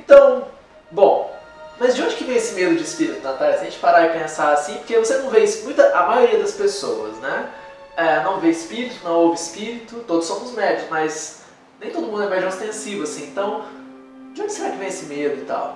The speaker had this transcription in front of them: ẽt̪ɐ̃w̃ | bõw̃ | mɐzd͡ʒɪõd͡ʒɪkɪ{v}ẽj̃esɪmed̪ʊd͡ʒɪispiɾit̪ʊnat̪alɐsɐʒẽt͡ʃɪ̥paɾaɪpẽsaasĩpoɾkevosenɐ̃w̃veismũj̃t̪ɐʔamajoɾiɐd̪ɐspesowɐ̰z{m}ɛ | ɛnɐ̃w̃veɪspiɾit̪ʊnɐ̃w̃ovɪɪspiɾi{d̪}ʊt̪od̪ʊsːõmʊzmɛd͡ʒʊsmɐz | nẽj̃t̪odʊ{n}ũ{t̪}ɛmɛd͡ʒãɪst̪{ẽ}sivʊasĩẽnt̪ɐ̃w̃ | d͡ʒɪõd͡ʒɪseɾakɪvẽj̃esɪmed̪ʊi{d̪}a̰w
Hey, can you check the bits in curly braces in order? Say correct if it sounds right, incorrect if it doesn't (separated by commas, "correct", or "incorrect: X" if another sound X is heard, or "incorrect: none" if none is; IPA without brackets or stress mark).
correct, incorrect: n, incorrect: t̪, incorrect: m, incorrect: d̪, correct, incorrect: t̪